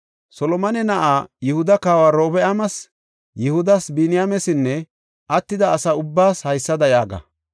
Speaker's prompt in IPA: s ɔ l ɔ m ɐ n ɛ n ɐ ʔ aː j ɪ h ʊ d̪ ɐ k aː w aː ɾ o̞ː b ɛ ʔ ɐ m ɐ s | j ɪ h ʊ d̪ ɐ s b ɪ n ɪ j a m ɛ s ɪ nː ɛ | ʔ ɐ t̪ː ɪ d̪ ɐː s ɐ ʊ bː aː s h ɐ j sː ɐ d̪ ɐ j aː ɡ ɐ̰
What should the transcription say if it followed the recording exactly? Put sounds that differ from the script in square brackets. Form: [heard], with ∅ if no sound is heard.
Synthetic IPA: s ɔ l ɔ m ɐ n ɛ n ɐ ʔ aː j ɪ h ʊ d̪ ɐ k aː w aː ɾ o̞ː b ɛ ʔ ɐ m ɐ s | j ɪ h ʊ d̪ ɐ s b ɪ n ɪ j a m ɛ s ɪ nː ɛ | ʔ ɐ t̪ː ɪ d̪ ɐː s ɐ ʊ bː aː s h ɐ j sː ɐ d̪ ɐ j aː ɡ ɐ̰

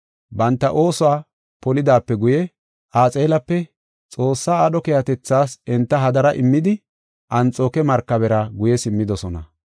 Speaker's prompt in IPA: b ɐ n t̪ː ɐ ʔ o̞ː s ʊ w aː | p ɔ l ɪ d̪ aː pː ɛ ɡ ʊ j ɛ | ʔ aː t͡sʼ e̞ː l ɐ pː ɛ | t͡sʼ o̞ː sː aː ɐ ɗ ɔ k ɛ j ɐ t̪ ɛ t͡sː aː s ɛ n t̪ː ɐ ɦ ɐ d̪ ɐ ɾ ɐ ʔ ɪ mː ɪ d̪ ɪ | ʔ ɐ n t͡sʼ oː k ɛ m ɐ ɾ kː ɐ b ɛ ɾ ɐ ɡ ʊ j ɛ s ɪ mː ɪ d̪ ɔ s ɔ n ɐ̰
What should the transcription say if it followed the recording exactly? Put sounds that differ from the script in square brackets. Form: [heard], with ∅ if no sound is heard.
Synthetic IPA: b ɐ n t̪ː ɐ ʔ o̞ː s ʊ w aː | p ɔ l ɪ d̪ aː pː ɛ ɡ ʊ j ɛ | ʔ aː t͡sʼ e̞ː l ɐ pː ɛ | t͡sʼ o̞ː sː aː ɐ ɗ ɔ k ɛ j ɐ t̪ ɛ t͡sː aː s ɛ n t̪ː ɐ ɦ ɐ d̪ ɐ ɾ ɐ ʔ ɪ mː ɪ d̪ ɪ | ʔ ɐ n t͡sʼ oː k ɛ m ɐ ɾ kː ɐ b ɛ ɾ ɐ ɡ ʊ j ɛ s ɪ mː ɪ d̪ ɔ s ɔ n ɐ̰

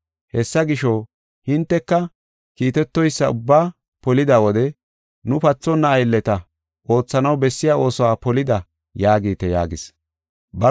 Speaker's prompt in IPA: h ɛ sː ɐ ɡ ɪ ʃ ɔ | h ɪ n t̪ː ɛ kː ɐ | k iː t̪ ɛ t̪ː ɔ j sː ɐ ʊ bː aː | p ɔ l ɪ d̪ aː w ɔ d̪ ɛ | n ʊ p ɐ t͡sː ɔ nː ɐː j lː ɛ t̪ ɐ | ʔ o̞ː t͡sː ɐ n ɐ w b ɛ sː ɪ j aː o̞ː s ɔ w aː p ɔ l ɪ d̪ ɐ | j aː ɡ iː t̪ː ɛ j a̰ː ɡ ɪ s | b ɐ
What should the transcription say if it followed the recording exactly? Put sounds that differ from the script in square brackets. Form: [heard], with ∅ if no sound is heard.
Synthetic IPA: h ɛ sː ɐ ɡ ɪ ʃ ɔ | h ɪ n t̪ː ɛ kː ɐ | k iː t̪ ɛ t̪ː ɔ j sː ɐ ʊ bː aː | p ɔ l ɪ d̪ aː w ɔ d̪ ɛ | n ʊ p ɐ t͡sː ɔ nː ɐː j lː ɛ t̪ ɐ | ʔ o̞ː t͡sː ɐ n ɐ w b ɛ sː ɪ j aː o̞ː s ɔ w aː p ɔ l ɪ d̪ ɐ | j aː ɡ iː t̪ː ɛ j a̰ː ɡ ɪ s | b ɐ

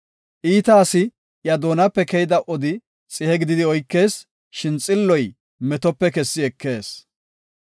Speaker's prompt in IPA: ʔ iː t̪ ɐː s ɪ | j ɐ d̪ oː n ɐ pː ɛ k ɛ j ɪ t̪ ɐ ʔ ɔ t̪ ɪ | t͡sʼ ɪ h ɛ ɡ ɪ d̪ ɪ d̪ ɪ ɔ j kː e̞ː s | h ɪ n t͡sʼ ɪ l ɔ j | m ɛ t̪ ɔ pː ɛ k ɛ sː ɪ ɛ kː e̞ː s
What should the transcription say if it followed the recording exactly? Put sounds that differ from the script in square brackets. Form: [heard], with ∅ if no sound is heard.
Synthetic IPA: ʔ iː t̪ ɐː s ɪ | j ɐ d̪ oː n ɐ pː ɛ k ɛ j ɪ [d̪] ɐ ʔ ɔ [d̪] ɪ | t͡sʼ ɪ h ɛ ɡ ɪ d̪ ɪ d̪ ɪ ɔ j kː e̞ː s | [ʃ] ɪ n t͡sʼ ɪ [lː] ɔ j | m ɛ t̪ ɔ pː ɛ k ɛ sː ɪ ɛ kː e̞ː s

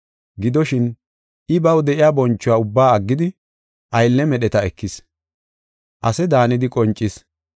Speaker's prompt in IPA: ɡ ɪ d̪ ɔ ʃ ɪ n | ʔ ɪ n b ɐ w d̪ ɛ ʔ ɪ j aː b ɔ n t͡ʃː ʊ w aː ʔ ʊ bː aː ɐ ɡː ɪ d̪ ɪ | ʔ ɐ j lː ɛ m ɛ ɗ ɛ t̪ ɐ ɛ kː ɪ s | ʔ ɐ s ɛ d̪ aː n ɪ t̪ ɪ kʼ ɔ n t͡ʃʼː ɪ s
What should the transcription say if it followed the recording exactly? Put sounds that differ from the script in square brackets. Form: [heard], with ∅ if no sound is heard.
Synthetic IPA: ɡ ɪ d̪ ɔ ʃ ɪ n | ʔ ɪ [∅] b ɐ w d̪ ɛ ʔ ɪ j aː b ɔ n t͡ʃː ʊ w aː [∅] ʊ bː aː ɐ ɡː ɪ d̪ ɪ | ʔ ɐ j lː ɛ m ɛ ɗ ɛ t̪ ɐ ɛ kː ɪ s | ʔ ɐ s ɛ d̪ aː n ɪ [d̪] ɪ kʼ ɔ n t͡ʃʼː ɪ s

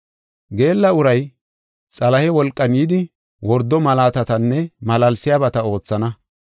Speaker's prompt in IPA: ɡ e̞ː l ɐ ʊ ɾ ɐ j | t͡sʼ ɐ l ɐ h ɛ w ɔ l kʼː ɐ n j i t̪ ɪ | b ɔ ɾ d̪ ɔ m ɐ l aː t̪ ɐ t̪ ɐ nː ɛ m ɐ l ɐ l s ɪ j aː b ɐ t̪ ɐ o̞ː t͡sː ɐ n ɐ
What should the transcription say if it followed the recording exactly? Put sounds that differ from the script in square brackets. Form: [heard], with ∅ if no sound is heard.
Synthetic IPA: ɡ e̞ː [lː] ɐ ʊ ɾ ɐ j | t͡sʼ ɐ l ɐ h ɛ w ɔ l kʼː ɐ n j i [d̪] ɪ | [w] ɔ ɾ d̪ ɔ m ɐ l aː t̪ ɐ t̪ ɐ nː ɛ m ɐ l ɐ l s ɪ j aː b ɐ t̪ ɐ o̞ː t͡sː ɐ n ɐ

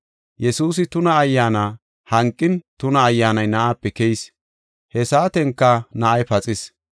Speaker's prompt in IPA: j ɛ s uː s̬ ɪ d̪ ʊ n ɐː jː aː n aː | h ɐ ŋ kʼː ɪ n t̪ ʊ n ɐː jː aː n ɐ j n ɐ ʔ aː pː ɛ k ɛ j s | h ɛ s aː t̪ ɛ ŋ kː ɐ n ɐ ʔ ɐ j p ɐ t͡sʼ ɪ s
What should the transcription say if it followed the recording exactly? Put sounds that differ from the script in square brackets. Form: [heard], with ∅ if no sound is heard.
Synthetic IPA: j ɛ s uː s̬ ɪ [t̪] ʊ n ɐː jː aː n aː | h ɐ ŋ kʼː ɪ n t̪ ʊ n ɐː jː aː n ɐ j n ɐ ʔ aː pː ɛ k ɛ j s | h ɛ s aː t̪ ɛ ŋ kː ɐ n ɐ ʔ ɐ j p ɐ t͡sʼ ɪ s

